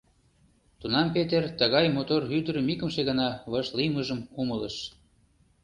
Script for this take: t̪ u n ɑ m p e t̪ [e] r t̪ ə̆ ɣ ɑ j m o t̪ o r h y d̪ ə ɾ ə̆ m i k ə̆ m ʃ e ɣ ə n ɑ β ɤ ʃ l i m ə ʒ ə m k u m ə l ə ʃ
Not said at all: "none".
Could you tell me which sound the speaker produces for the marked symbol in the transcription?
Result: e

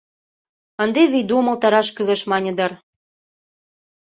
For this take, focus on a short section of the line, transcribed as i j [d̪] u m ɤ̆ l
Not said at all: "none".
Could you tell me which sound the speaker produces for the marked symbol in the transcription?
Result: d̪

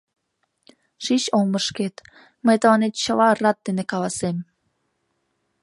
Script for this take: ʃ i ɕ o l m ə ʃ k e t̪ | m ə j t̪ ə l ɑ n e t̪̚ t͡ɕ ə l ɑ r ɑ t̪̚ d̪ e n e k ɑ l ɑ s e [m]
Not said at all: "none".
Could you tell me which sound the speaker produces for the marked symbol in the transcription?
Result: m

